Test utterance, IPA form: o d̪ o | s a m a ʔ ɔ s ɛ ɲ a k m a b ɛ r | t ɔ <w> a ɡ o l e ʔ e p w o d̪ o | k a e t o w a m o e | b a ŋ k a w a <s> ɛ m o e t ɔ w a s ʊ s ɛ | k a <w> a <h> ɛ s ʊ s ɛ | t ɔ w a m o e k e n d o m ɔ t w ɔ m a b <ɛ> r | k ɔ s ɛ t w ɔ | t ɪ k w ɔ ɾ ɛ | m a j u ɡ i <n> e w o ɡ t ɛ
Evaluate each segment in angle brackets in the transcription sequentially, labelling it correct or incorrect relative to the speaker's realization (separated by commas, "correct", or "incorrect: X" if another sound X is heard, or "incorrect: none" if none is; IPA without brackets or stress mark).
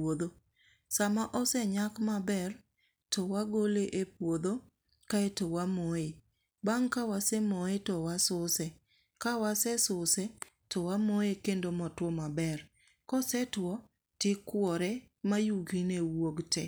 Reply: correct, correct, correct, incorrect: s, correct, correct